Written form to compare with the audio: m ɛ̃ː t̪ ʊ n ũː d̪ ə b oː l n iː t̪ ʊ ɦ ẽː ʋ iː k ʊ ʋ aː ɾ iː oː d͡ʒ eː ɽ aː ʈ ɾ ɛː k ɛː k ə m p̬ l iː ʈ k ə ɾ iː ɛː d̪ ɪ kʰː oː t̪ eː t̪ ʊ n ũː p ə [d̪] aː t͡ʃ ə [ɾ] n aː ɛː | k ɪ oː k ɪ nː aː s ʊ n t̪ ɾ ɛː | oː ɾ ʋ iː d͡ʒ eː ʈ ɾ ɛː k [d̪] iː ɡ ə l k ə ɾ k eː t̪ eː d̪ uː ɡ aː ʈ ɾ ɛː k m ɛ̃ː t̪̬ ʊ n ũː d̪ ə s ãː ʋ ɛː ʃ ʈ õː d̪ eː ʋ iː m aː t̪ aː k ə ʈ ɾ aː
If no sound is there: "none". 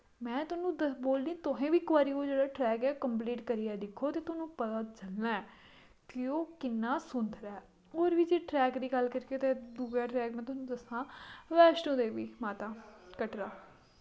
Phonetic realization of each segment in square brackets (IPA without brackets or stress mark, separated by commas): t̪, l, d̪